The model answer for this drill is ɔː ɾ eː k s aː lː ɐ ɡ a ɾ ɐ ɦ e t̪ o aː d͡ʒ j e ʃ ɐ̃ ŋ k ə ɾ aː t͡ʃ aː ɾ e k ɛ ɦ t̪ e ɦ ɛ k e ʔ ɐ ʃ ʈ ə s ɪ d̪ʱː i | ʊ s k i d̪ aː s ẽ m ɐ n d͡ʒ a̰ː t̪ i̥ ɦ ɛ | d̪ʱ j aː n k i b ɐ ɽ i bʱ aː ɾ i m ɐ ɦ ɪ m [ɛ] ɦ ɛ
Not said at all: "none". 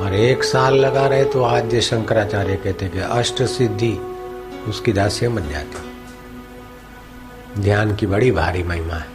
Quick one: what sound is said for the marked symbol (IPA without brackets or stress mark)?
a